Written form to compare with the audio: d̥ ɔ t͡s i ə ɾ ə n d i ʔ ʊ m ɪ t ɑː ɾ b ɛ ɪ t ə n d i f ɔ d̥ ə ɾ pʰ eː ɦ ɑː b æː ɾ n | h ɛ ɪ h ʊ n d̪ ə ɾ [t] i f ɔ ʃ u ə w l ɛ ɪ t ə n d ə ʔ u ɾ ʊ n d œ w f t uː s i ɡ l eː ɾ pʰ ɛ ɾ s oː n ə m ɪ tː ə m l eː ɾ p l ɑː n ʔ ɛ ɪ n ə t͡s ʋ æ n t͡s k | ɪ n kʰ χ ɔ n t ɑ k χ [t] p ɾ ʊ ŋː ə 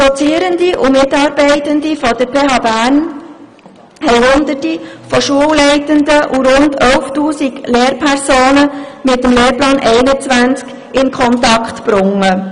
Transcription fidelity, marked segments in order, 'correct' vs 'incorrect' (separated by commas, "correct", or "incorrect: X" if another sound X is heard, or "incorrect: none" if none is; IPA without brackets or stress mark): correct, correct